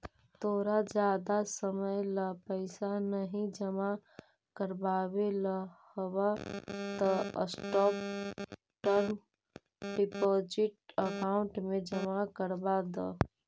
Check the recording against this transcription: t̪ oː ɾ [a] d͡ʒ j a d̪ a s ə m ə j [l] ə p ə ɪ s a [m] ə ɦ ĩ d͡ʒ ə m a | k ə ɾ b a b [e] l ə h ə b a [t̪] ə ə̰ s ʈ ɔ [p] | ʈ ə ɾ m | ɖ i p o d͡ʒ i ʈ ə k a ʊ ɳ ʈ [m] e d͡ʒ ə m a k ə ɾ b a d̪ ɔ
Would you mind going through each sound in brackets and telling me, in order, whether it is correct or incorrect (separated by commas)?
correct, correct, incorrect, correct, correct, correct, correct